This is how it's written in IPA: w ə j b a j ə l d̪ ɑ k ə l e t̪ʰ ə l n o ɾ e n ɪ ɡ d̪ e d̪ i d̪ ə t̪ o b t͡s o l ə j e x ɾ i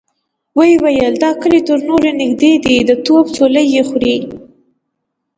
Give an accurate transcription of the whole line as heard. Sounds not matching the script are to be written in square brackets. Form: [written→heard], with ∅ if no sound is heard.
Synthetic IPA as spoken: w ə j [b→w] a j ə l d̪ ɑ k ə l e [t̪ʰ→t̪] ə [l→ɾ] n o ɾ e n ɪ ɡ d̪ e d̪ i d̪ ə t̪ o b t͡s o l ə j e x ɾ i